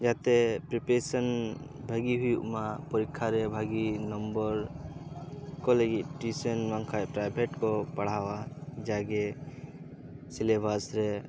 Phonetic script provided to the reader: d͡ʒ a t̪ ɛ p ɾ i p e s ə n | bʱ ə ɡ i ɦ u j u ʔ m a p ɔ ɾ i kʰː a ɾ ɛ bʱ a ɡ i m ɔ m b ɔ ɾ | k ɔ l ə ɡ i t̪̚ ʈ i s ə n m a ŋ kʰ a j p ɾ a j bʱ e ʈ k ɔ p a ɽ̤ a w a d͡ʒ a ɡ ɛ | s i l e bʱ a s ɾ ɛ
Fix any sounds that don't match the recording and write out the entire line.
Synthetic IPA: d͡ʒ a t̪ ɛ p ɾ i p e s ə n | bʱ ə ɡ i ɦ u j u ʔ m a p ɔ ɾ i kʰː a ɾ ɛ bʱ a ɡ i n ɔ m b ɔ ɾ | k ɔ l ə ɡ i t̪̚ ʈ i s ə n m a ŋ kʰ a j p ɾ a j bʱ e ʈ k ɔ p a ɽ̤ a w a d͡ʒ a ɡ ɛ | s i l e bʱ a s ɾ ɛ